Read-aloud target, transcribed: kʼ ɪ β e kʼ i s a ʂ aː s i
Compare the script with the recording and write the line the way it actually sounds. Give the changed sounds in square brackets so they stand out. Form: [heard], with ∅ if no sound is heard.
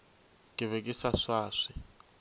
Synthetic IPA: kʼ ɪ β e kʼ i s a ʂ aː [ʂ] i